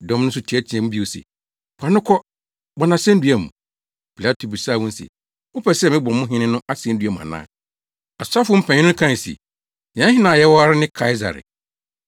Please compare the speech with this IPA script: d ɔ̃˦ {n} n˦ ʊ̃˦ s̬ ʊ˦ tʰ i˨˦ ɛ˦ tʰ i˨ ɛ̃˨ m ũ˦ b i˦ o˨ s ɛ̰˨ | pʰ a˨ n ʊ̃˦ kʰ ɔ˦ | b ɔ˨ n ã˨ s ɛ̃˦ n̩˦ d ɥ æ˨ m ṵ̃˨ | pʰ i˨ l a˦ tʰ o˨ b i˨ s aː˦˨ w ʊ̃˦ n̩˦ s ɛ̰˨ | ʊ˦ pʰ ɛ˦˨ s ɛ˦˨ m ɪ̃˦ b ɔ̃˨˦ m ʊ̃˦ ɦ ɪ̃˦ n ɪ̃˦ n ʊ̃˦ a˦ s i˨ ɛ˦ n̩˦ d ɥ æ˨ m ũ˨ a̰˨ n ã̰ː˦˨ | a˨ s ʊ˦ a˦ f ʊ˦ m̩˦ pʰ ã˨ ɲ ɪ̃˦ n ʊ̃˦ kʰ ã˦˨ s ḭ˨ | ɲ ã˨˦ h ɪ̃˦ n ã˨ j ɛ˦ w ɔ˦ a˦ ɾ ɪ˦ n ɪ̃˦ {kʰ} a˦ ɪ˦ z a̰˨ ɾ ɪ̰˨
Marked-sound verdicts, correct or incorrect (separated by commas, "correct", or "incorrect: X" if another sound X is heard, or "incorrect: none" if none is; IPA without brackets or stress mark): incorrect: m, correct